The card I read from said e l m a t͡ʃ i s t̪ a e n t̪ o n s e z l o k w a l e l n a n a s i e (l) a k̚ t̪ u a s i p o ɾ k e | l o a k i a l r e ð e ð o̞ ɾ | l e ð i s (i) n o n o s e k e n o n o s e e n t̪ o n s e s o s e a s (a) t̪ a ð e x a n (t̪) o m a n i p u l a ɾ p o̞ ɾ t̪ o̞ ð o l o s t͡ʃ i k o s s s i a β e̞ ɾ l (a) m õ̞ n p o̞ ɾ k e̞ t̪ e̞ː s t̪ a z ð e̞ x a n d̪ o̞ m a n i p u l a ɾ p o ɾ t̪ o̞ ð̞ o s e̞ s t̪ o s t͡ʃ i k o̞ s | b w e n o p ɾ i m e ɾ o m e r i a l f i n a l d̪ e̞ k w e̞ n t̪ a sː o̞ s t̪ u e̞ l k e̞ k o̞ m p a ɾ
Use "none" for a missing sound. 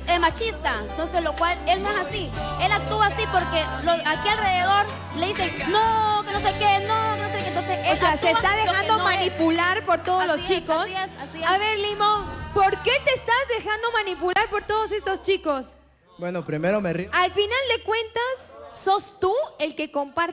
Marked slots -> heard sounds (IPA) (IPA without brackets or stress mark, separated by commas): l, e, e, d̪, i